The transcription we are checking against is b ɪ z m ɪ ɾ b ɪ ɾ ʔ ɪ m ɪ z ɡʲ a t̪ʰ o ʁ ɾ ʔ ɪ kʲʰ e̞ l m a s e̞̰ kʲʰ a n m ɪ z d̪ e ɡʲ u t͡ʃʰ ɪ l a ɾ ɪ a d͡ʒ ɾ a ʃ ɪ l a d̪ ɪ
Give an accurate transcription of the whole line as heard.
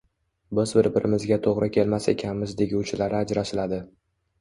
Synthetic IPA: b ɪ z b ɪ ɾ b ɪ ɾ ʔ ɪ m ɪ z ɡʲ a t̪ʰ o ʁ ɾ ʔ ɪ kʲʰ e̞ l m a s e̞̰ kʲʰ a n m ɪ z d̪ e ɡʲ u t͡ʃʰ ɪ l a ɾ ɪ a d͡ʒ ɾ a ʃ ɪ l a d̪ ɪ

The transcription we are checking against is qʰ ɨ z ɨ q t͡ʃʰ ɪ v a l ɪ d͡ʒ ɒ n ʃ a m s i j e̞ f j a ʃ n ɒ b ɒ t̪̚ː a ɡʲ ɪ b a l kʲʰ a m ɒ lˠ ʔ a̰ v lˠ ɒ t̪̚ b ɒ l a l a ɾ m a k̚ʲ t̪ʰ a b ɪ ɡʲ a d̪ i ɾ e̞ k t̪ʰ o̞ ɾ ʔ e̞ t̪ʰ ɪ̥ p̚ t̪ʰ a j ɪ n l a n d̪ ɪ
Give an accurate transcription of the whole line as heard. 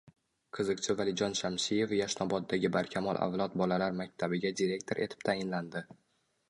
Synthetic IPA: qʰ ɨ z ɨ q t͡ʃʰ ɪ v a l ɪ d͡ʒ ɒ n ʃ a m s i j e̞ f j a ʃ n ɒ b ɒ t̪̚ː a ɡʲ ɪ b a ɾ kʲʰ a m ɒ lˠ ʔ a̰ v lˠ ɒ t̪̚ b ɒ l a l a ɾ m a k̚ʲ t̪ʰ a b ɪ ɡʲ a d̪ i ɾ e̞ k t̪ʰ o̞ ɾ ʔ e̞ t̪ʰ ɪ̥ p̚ t̪ʰ a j ɪ n l a n d̪ ɪ

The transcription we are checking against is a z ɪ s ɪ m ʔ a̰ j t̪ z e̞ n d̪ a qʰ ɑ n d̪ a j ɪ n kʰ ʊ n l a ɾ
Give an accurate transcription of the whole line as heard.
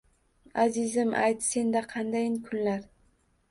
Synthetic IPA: a z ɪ z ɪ m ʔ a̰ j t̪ s e̞ n d̪ a qʰ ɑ n d̪ a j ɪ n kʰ ʊ n l a ɾ

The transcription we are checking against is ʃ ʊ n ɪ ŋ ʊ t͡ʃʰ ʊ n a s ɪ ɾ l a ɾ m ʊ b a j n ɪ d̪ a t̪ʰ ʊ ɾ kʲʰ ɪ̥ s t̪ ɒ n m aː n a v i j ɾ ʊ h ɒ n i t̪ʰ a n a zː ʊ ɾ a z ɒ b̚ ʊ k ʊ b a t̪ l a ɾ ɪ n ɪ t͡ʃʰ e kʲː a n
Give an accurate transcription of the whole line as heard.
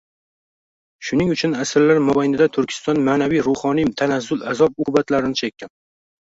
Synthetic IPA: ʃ ʊ n ɪ ŋ ʊ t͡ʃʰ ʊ n a s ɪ ɾ l a ɾ m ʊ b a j n ɪ d̪ a t̪ʰ ʊ ɾ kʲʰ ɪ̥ s t̪ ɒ n m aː n a v i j ɾ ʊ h ɒ n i t̪ʰ a n a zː ʊ l a z ɒ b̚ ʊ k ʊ b a t̪ l a ɾ ɪ n ɪ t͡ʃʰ e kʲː a n

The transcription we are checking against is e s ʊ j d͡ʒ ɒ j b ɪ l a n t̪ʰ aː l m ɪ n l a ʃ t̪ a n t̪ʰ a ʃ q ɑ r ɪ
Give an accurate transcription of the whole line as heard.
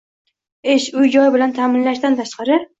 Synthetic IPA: e ʃ ʊ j d͡ʒ ɒ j b ɪ l a n t̪ʰ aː m ɪ n l a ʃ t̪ a n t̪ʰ a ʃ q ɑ ɾ ɪ

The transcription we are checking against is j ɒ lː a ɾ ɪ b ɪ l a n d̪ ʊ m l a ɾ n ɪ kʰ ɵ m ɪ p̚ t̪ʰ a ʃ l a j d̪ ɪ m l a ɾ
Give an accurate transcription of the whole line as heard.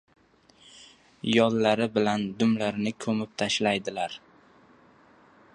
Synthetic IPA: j ɒ lː a ɾ ɪ b ɪ l a n d̪ ʊ m l a ɾ n ɪ kʰ ɵ m ɪ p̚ t̪ʰ a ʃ l a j d̪ ɪ l a ɾ

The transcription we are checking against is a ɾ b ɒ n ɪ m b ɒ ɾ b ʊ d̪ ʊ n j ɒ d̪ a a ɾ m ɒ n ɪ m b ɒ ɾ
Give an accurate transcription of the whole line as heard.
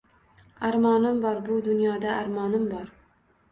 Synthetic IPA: a ɾ m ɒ n ɪ m b ɒ ɾ b ʊ d̪ ʊ n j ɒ d̪ a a ɾ m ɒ n ɪ m b ɒ ɾ

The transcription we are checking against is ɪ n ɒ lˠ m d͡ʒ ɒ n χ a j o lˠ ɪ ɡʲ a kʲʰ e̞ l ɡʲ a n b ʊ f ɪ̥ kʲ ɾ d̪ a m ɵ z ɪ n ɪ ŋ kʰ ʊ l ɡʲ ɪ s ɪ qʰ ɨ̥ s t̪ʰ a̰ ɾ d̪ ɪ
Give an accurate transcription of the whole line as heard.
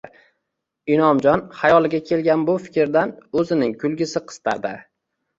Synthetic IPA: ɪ n ɒ m d͡ʒ ɒ n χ a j ɒ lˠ ɪ ɡʲ a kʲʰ e̞ l ɡʲ a n b ʊ f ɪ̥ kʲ ɾ d̪ a n ɵ z ɪ n ɪ ŋ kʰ ʊ l ɡʲ ɪ s ɪ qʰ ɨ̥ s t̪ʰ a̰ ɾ d̪ ɪ

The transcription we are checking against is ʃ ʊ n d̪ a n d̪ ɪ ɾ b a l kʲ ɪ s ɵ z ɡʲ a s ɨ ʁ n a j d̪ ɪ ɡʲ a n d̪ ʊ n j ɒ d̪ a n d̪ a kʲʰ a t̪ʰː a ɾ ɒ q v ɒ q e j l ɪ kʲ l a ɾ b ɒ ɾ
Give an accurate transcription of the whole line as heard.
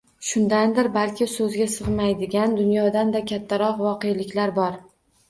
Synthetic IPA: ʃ ʊ n d̪ a n d̪ ɪ ɾ b a l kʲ ɪ s ɵ z ɡʲ a s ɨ ʁ m a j d̪ ɪ ɡʲ a n d̪ ʊ n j ɒ d̪ a n d̪ a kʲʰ a t̪ʰː a ɾ ɒ q v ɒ q e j l ɪ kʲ l a ɾ b ɒ ɾ

